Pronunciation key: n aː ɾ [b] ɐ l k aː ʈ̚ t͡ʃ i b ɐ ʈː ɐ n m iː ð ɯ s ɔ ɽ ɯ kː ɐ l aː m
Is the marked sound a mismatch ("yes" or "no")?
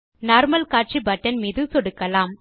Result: yes